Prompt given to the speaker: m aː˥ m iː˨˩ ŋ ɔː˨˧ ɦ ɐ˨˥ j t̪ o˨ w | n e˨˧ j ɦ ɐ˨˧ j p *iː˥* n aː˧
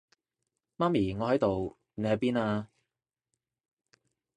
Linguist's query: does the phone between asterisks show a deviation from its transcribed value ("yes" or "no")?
no